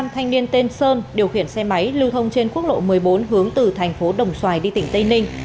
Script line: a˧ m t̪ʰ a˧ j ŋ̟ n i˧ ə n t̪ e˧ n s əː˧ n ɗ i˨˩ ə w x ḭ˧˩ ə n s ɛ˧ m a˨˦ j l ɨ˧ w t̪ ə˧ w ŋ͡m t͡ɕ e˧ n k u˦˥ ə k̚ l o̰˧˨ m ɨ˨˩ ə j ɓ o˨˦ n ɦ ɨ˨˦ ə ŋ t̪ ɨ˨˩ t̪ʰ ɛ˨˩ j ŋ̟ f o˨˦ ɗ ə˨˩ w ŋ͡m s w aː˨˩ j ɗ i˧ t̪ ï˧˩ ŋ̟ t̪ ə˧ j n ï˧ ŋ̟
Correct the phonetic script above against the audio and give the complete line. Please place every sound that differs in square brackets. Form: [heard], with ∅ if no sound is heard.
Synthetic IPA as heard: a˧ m t̪ʰ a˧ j ŋ̟ n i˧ ə n t̪ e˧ n s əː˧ n ɗ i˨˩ ə w x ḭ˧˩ ə n s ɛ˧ m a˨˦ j l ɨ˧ w [t̪ʰ] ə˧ w ŋ͡m t͡ɕ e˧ n k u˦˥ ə k̚ l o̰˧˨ m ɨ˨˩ ə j ɓ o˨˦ n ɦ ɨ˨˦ ə ŋ t̪ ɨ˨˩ t̪ʰ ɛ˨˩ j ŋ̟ f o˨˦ ɗ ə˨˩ w ŋ͡m s w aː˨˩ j ɗ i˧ t̪ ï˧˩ ŋ̟ t̪ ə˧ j n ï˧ ŋ̟